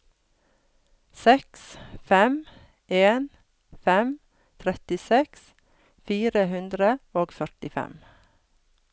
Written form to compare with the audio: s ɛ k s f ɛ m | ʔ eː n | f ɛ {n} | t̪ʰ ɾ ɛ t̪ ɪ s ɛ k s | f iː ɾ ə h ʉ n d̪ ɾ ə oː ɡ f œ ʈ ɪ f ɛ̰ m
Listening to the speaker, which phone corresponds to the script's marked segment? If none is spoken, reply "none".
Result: m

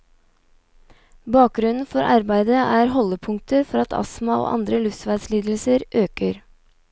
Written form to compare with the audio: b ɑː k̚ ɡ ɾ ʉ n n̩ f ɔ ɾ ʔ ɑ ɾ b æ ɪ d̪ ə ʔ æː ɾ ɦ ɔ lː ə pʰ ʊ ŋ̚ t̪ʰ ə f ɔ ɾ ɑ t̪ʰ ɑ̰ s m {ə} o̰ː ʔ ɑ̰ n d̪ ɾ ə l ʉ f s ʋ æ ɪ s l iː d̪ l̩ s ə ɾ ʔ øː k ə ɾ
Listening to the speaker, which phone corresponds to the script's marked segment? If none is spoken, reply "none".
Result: ɑ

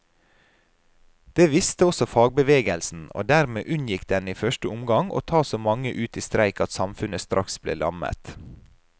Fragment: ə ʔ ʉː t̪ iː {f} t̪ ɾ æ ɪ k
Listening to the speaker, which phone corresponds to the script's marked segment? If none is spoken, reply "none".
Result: s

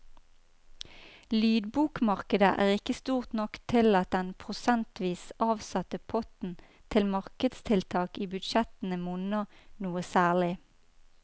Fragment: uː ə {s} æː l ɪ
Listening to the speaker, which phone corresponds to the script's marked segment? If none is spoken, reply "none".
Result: s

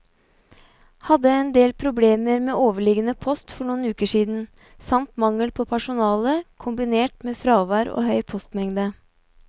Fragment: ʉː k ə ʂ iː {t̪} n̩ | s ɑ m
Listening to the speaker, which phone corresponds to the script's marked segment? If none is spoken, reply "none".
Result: d̪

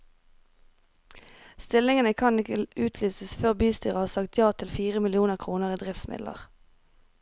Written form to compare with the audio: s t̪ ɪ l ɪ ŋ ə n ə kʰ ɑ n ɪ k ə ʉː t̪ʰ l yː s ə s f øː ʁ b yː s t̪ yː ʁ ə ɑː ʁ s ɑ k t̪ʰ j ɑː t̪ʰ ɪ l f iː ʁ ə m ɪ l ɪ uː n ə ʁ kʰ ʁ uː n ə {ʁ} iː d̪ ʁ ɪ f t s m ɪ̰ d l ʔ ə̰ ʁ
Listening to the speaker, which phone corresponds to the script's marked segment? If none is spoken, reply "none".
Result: ʁ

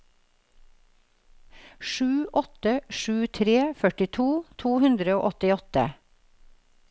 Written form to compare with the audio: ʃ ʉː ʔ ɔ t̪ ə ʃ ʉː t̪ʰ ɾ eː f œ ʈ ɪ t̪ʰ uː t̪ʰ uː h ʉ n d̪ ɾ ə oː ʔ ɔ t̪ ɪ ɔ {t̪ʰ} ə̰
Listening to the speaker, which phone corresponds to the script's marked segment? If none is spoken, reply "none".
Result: t̪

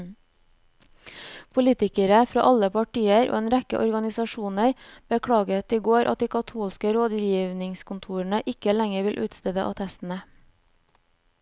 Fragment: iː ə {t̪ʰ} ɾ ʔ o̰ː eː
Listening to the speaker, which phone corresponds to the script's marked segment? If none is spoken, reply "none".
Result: none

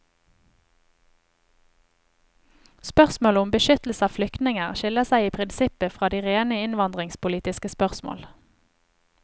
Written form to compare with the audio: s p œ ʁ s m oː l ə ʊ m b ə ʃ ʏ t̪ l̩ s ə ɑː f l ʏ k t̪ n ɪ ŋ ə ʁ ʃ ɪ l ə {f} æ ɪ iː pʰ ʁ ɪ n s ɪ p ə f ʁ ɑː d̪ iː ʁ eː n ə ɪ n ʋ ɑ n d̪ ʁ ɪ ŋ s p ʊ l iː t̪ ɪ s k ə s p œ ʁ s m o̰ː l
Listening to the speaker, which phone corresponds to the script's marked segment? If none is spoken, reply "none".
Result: s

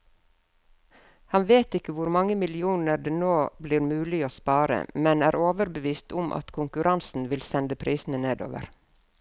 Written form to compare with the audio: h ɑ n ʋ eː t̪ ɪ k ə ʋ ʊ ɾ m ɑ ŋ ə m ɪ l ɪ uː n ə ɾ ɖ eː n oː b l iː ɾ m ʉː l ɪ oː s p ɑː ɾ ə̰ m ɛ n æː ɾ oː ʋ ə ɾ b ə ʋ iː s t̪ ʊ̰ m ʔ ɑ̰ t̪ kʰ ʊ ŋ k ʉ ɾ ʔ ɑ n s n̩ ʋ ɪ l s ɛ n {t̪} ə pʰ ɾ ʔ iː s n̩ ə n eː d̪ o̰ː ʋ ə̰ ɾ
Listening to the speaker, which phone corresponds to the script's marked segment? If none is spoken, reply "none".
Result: d̪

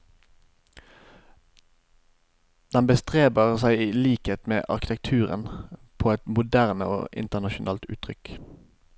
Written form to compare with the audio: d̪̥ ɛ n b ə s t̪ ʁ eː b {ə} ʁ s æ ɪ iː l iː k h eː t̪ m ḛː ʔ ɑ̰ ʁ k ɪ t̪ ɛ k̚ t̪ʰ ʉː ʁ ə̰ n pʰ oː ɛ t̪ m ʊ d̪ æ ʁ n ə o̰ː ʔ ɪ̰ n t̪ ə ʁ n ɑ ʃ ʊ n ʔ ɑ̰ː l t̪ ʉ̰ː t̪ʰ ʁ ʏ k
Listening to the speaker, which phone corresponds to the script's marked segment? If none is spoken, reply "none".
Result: ə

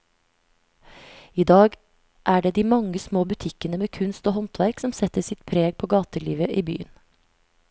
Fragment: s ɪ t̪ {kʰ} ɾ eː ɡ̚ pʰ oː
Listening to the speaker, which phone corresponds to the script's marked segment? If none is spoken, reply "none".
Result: pʰ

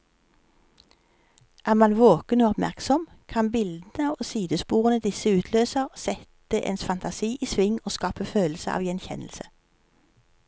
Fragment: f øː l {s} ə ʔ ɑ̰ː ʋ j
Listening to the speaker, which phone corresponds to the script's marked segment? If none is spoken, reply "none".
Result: s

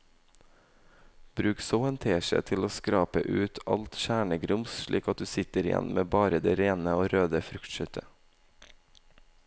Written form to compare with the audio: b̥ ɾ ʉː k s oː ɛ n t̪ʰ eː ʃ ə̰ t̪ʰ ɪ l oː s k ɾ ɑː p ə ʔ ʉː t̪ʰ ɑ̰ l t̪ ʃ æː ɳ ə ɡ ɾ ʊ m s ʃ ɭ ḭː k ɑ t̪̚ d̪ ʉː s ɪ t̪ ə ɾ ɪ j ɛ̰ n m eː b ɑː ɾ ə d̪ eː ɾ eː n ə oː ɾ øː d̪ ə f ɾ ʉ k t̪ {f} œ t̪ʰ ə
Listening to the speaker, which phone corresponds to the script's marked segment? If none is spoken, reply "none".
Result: ʃ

